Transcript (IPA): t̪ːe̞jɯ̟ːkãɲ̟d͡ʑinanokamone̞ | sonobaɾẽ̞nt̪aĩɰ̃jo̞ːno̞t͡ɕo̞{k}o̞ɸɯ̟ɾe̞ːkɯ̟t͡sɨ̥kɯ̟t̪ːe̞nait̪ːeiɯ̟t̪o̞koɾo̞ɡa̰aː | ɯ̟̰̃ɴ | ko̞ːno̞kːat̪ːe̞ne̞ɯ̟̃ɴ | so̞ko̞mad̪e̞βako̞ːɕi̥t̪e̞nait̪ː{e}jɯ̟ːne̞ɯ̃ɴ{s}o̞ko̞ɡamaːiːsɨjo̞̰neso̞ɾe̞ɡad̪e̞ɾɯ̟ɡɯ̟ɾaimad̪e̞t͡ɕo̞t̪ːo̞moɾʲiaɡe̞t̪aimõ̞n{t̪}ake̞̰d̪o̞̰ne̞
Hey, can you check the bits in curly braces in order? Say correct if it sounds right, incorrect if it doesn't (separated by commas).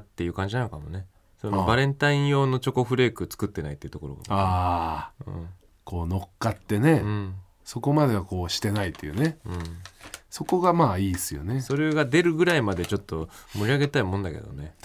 correct, correct, correct, incorrect